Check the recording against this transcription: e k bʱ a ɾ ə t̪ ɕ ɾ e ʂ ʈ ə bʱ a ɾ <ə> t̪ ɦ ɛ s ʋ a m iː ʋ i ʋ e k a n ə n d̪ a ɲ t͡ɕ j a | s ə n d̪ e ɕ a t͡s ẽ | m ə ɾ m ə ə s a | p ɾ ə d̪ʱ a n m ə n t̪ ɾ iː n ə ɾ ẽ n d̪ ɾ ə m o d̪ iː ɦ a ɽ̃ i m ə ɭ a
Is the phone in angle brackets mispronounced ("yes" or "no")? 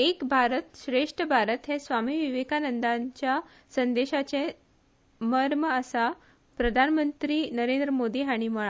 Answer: no